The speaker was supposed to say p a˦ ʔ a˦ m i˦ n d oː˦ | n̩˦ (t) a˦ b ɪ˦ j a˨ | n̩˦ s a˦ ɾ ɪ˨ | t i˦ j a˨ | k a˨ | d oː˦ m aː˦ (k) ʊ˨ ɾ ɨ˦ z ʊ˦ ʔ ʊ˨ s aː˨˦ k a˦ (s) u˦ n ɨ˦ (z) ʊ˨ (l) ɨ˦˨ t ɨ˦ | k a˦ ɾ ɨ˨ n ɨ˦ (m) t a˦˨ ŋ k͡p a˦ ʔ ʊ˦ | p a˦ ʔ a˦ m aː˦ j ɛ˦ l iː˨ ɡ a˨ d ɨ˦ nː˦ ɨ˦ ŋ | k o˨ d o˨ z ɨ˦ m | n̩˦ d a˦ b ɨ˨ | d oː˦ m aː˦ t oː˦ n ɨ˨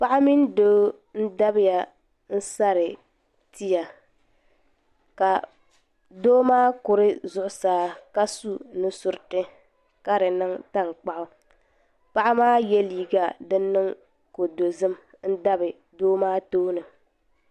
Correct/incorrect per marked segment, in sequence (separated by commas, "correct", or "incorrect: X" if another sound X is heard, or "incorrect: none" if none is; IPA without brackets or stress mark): incorrect: d, correct, correct, incorrect: s, incorrect: ɾ, incorrect: ŋ